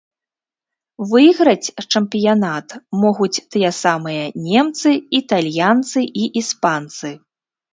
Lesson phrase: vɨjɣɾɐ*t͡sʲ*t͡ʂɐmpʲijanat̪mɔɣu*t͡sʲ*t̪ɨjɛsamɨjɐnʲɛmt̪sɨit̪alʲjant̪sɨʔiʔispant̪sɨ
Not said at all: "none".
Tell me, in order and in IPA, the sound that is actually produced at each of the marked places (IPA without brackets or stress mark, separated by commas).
t͡sʲ, t͡sʲ